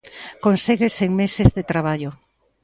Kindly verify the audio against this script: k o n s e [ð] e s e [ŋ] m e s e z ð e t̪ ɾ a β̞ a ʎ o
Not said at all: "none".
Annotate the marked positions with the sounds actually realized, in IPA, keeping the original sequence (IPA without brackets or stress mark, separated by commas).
ɣ, ŋ